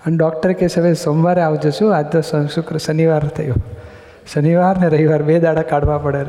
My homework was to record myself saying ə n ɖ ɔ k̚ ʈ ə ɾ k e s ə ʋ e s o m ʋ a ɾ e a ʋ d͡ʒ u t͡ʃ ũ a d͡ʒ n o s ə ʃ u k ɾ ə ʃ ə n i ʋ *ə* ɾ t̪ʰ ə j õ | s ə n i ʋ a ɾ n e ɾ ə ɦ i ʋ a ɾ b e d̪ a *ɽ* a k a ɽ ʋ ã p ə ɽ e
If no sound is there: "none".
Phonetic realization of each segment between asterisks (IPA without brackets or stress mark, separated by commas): a, ɽ